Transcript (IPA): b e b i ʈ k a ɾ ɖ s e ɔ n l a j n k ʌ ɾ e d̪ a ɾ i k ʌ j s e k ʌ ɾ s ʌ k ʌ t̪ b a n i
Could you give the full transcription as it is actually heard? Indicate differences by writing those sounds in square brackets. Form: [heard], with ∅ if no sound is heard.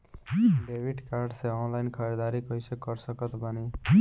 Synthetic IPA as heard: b e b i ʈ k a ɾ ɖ s e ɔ n l a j n [kʰ] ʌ ɾ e d̪ a ɾ i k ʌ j s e k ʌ ɾ s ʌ k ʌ t̪ b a n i